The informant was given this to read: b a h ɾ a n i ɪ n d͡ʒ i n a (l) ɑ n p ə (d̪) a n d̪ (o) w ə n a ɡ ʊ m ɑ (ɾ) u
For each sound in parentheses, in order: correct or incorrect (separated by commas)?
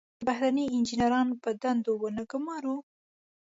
incorrect, correct, correct, correct